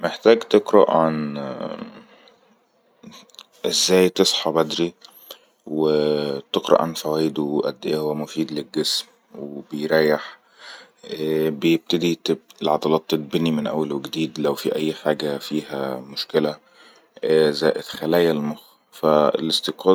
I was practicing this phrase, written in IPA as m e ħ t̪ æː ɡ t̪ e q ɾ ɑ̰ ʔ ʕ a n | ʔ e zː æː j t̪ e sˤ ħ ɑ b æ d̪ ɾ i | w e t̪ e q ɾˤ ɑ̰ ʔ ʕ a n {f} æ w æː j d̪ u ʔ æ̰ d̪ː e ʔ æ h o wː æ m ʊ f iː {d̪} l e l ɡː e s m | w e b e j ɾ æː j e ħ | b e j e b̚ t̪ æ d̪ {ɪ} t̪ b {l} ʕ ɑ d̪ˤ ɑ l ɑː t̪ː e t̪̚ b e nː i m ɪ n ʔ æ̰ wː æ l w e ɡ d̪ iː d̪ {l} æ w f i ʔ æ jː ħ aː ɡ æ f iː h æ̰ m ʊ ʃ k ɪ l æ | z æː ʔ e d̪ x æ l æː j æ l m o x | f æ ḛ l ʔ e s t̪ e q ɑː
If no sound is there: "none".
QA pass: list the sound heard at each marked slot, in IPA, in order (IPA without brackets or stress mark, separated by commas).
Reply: f, d̪, i, l, l